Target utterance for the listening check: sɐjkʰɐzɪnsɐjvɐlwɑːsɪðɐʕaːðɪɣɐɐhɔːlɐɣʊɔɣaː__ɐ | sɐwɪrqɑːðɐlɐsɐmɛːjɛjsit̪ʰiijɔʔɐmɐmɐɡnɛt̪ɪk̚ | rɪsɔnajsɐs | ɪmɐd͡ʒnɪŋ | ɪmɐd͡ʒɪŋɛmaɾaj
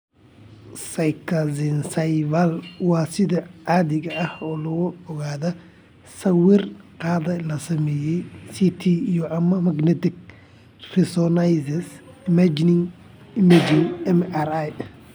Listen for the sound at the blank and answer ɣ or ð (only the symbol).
ð